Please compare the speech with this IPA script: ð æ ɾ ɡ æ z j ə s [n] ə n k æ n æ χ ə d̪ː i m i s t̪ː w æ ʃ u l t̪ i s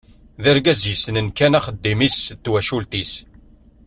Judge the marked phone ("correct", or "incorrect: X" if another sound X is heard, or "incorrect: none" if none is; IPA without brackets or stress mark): correct